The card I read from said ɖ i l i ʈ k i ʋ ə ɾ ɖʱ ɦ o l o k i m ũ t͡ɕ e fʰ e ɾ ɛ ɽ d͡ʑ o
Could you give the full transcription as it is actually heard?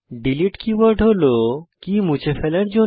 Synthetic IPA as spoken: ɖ i l i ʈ k i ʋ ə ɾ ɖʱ ɦ o l o k i m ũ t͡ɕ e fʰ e l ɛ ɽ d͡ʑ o